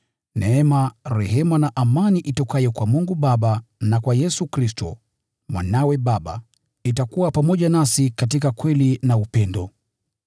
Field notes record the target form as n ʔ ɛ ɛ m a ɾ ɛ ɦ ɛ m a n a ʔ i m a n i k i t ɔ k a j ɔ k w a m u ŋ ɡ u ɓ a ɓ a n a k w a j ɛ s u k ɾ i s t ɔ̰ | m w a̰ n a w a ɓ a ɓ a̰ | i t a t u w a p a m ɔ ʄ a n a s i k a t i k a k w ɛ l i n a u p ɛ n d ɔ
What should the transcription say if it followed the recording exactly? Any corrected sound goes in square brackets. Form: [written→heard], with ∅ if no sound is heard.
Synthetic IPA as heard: n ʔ ɛ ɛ m a ɾ ɛ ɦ ɛ m a n a ʔ [i→a] m a n i [k→ʔ] i t ɔ k a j ɔ k w a m u ŋ ɡ u ɓ a ɓ a n a k w a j ɛ s u k ɾ i s t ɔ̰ | m w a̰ n a w [a→ɛ] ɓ a ɓ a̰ | i t a [t→k] u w a p a m ɔ ʄ a n a s i k a t i k a k w ɛ l i n a u p ɛ n d ɔ